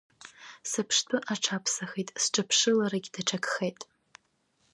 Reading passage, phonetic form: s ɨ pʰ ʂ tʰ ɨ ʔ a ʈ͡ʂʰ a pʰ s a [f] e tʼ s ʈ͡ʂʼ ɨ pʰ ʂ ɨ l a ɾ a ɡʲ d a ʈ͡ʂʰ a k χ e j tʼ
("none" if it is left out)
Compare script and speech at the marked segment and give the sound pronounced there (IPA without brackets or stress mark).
χ